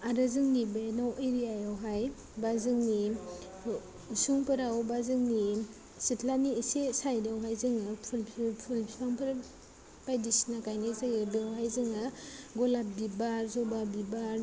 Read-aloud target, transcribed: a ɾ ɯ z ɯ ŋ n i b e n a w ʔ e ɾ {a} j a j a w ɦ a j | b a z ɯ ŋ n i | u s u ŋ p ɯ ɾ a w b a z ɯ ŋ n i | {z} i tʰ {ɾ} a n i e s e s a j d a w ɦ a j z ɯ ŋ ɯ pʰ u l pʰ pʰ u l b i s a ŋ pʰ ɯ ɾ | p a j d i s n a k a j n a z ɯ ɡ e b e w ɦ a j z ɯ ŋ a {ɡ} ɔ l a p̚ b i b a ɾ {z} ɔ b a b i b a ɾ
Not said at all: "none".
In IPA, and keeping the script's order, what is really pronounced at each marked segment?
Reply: i, s, l, ɡ, z

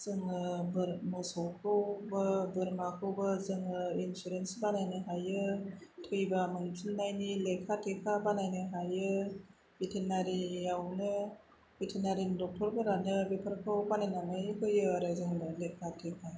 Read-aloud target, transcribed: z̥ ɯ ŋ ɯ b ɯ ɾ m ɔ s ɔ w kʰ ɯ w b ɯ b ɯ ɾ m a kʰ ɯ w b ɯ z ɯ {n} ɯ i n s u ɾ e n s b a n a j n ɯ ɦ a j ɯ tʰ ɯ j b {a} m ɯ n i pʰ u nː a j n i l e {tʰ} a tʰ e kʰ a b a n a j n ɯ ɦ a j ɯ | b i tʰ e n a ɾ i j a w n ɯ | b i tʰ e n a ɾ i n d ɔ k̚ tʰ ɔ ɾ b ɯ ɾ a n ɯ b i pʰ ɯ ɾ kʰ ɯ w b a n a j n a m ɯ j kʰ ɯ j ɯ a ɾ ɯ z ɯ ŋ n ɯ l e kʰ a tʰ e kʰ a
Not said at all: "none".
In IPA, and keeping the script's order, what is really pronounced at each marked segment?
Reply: ŋ, a, kʰ

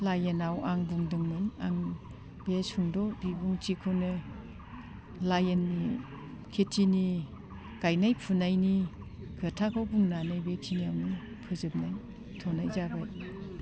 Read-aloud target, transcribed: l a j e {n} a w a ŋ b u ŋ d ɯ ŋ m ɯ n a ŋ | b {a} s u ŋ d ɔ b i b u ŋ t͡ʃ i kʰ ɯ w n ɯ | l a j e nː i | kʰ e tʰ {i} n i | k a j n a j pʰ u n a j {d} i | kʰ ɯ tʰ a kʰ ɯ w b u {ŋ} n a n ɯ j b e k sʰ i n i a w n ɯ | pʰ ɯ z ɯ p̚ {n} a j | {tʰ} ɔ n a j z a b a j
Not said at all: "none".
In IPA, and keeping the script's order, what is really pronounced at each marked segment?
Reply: n, e, i, n, ŋ, n, tʰ

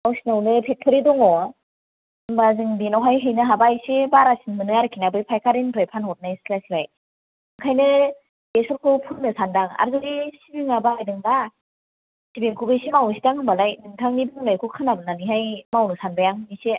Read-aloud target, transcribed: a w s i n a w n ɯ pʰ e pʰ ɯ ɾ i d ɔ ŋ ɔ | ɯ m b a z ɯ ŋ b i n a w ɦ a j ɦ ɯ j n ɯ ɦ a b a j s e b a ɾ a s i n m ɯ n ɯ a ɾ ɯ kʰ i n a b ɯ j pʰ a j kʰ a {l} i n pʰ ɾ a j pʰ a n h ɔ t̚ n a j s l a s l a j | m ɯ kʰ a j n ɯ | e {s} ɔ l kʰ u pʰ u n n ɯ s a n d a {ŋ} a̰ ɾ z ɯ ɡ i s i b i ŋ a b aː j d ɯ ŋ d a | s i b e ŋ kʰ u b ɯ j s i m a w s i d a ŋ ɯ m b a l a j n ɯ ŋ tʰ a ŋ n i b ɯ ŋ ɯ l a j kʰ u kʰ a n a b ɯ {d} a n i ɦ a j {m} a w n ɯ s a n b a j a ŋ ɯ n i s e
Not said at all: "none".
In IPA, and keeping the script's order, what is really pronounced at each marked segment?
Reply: ɾ, s, ŋ, n, m

